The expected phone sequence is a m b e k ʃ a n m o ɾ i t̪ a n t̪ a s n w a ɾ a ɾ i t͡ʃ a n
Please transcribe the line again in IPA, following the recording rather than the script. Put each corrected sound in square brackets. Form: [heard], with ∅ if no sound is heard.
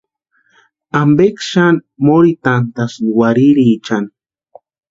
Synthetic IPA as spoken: a m b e k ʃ a n m o ɾ i t̪ a n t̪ a s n w a ɾ [i] ɾ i t͡ʃ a n